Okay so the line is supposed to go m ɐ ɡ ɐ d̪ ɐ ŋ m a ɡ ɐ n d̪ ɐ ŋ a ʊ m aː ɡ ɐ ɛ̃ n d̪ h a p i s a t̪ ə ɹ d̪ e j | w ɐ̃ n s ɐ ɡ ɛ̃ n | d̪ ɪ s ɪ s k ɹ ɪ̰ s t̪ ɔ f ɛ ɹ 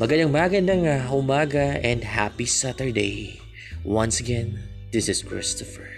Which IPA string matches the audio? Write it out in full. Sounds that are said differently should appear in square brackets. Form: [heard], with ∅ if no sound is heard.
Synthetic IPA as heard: m ɐ ɡ ɐ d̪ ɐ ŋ m a ɡ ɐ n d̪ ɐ ŋ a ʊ m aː ɡ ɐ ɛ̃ n d̪ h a p i s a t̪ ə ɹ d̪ e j | w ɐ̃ n s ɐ ɡ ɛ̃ n | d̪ ɪ s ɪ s k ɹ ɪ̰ s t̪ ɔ f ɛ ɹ